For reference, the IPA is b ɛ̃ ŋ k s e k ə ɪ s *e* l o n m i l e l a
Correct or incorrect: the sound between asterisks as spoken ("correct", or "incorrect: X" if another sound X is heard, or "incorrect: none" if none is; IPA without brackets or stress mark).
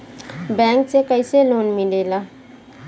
correct